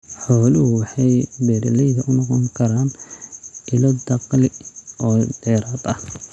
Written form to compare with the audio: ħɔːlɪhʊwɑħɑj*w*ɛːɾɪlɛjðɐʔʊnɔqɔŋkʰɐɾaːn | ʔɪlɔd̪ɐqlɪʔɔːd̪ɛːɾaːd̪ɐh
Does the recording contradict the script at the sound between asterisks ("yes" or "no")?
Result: yes